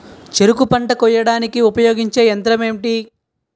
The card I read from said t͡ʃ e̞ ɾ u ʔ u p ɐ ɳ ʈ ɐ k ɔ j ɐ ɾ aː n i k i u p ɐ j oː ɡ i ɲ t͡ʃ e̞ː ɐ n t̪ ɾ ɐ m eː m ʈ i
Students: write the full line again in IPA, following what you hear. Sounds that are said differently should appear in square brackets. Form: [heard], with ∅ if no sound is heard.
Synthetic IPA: t͡ʃ e̞ ɾ u [k] u p ɐ ɳ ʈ ɐ k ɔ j ɐ [ɽ] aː n i k i u p ɐ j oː ɡ i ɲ t͡ʃ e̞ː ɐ n t̪ ɾ ɐ m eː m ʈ i